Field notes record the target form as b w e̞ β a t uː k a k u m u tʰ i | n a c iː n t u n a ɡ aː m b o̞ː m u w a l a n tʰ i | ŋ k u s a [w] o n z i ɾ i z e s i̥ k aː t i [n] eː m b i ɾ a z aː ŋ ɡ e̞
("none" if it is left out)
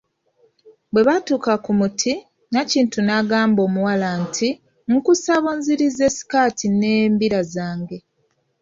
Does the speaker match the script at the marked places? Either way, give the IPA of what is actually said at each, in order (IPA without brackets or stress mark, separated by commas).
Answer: β, n